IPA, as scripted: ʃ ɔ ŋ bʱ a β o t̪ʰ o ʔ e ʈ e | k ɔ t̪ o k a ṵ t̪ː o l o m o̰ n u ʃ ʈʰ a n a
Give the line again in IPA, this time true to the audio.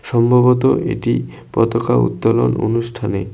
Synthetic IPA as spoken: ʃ ɔ m bʱ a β o t̪ o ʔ e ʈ i | p ɔ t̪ o k a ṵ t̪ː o l o n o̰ n u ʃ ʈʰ a n e

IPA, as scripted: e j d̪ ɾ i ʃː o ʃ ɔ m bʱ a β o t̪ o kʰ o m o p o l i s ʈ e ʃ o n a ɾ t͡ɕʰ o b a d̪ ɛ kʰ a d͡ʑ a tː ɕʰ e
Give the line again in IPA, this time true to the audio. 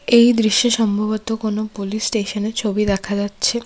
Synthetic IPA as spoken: e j d̪ ɾ i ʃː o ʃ ɔ m bʱ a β o t̪ o k o n o p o l i s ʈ e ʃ o n e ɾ t͡ɕʰ o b i d̪ ɛ kʰ a d͡ʑ a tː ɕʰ e

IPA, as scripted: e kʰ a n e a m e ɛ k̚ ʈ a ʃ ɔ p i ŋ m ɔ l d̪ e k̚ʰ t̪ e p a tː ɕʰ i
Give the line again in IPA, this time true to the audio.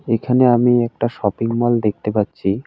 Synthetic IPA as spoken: e kʰ a n e a m i ɛ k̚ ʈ a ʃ ɔ p i ŋ m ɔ l d̪ e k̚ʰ t̪ e p a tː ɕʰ i

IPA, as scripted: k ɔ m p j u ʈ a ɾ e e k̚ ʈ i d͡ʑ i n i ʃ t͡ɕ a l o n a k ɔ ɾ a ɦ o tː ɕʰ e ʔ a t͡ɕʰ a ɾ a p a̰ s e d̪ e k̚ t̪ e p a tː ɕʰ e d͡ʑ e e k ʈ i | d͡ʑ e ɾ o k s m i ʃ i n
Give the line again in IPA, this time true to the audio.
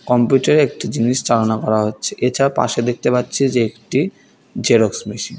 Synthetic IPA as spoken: k ɔ m p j u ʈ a ɾ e e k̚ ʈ i d͡ʑ i n i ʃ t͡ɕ a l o n a k ɔ ɾ a ɦ o tː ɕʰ e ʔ e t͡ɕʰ a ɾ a p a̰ ʃ e d̪ e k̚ t̪ e p a tː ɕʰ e d͡ʑ e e k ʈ i | d͡ʑ e ɾ o k s m i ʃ i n

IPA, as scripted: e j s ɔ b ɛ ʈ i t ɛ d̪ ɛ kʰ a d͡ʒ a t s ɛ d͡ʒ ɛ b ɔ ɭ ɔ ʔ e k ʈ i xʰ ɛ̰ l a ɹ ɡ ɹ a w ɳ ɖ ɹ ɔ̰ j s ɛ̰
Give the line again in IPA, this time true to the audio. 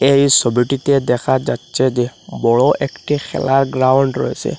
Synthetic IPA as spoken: e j s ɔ b i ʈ i t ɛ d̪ ɛ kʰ a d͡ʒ a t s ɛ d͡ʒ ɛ b ɔ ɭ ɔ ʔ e k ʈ i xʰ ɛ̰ l a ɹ ɡ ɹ a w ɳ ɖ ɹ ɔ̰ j s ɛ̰

